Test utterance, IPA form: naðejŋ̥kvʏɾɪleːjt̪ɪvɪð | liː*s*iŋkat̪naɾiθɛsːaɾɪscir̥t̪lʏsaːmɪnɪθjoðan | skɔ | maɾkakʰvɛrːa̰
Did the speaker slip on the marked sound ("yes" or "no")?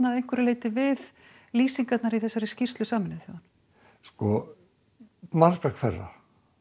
no